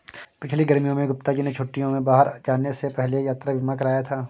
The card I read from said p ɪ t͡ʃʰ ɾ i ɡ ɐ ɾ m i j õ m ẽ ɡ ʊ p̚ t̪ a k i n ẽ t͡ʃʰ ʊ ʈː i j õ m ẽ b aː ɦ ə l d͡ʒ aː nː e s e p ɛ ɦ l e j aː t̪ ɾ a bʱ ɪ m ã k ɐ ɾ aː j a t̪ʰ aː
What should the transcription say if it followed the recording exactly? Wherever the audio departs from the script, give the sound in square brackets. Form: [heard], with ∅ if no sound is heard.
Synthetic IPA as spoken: p ɪ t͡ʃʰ [l] i ɡ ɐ ɾ m i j õ m ẽ ɡ ʊ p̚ t̪ a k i n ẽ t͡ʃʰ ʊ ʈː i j õ m ẽ b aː ɦ ə [ɾ] d͡ʒ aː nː e s e p ɛ ɦ l e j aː t̪ ɾ a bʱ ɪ m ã k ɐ ɾ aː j a t̪ʰ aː